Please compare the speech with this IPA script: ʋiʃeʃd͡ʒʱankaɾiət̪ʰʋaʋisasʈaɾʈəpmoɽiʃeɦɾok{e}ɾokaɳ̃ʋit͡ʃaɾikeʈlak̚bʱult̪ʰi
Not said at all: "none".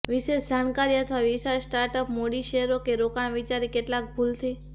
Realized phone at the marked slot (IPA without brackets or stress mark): e